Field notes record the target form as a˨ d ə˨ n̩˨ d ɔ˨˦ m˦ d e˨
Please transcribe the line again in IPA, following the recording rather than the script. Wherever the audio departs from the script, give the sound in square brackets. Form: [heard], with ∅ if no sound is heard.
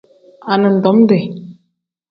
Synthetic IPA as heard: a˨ [n] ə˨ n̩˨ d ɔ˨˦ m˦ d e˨